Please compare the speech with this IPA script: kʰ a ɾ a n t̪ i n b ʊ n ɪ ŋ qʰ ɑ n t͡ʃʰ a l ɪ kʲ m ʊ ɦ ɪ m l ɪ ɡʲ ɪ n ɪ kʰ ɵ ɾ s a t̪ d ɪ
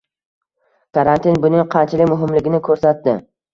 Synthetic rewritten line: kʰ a ɾ a n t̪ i n b ʊ n ɪ ŋ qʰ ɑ n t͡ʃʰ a l ɪ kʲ m ʊ ɦ ɪ m l ɪ ɡʲ ɪ n ɪ kʰ ɵ ɾ s a t̪ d ɪ